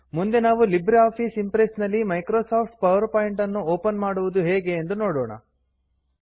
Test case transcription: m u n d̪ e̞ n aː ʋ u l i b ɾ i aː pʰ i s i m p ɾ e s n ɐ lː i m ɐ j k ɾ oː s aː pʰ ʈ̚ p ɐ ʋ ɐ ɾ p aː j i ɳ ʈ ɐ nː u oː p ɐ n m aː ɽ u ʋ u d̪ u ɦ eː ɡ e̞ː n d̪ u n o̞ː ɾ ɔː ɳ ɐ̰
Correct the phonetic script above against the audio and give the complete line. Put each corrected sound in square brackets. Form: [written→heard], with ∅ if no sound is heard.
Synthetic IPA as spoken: m u n d̪ e̞ n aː ʋ u l i b ɾ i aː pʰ i s i m p ɾ e s n ɐ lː i m ɐ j k ɾ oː s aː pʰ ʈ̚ p ɐ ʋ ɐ ɾ p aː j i ɳ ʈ ɐ nː u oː p ɐ n m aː ɽ u ʋ u d̪ u ɦ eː ɡ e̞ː n d̪ u n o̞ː [ɾ→ɽ] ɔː ɳ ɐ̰